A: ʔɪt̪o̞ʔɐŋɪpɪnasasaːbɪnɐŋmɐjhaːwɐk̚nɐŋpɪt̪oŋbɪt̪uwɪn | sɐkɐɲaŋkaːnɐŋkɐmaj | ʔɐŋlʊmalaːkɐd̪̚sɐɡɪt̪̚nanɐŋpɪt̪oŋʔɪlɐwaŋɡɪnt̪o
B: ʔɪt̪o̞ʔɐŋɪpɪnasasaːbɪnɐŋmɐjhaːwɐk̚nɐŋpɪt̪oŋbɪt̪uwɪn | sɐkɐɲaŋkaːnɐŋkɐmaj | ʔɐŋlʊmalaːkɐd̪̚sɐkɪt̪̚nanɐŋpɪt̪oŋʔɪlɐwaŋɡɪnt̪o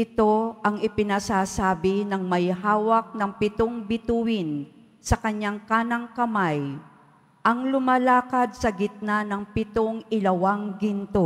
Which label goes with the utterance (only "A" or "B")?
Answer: A